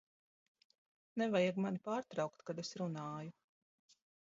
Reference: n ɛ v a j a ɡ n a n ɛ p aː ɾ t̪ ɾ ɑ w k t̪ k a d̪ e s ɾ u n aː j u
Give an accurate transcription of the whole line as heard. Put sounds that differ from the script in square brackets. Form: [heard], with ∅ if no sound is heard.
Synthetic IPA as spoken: n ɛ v a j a ɡ [m] a n [i] p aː ɾ t̪ ɾ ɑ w k t̪ k a d̪ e s ɾ u n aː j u